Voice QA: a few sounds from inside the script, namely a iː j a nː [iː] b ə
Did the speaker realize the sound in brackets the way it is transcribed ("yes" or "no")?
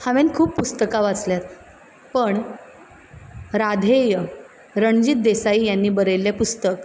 yes